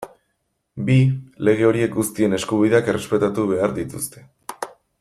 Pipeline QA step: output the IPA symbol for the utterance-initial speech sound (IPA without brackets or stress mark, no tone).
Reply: b